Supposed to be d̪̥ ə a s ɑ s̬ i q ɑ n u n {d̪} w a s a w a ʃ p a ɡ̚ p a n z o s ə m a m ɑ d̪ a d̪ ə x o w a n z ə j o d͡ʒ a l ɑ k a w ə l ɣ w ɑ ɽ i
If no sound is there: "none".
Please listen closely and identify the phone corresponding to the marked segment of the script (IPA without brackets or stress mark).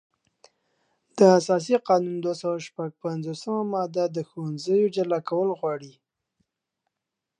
d̪